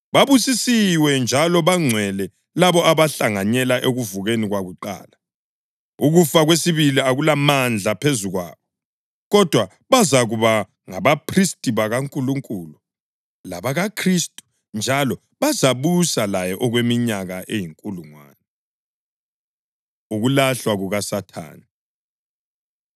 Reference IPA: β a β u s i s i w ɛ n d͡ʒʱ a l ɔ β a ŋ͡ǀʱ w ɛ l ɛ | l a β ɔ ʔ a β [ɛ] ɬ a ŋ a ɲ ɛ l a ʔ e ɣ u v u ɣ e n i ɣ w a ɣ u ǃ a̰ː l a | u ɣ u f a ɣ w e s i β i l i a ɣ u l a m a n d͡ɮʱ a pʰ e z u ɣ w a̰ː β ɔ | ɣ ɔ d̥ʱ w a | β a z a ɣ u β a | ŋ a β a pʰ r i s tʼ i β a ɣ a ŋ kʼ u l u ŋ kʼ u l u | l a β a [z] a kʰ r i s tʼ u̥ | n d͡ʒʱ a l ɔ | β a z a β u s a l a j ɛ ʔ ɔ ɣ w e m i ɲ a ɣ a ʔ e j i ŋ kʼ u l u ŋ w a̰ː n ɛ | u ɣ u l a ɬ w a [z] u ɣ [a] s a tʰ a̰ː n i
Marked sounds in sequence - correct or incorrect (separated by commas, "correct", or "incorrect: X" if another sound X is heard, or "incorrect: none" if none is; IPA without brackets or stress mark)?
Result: incorrect: a, incorrect: ɣ, incorrect: ɣ, correct